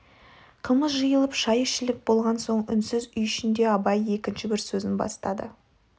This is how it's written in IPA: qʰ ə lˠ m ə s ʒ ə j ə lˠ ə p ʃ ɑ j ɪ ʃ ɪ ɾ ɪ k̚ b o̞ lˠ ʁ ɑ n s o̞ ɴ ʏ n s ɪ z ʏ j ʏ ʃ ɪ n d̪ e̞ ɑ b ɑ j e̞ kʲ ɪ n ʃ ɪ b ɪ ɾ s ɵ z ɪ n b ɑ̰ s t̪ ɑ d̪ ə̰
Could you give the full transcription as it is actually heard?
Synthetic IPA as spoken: qʰ ə lˠ m ə s ʒ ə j ə lˠ ə p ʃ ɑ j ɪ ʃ ɪ l ɪ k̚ b o̞ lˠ ʁ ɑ n s o̞ ɴ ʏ n s ɪ z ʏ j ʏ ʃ ɪ n d̪ e̞ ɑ b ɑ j e̞ kʲ ɪ n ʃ ɪ b ɪ ɾ s ɵ z ɪ n b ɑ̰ s t̪ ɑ d̪ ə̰